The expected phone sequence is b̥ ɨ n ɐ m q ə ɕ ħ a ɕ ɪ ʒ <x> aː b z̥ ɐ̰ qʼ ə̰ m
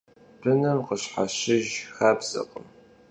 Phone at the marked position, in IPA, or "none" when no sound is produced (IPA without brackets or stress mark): x